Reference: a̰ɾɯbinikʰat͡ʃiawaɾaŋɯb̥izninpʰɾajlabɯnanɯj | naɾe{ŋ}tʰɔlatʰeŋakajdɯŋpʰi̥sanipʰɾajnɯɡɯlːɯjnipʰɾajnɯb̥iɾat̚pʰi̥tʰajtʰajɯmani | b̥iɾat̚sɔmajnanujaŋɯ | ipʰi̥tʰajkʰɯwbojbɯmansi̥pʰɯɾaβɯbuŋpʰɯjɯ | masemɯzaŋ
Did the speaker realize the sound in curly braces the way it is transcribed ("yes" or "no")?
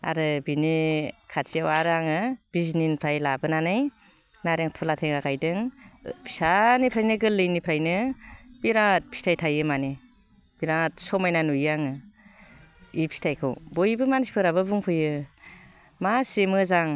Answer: yes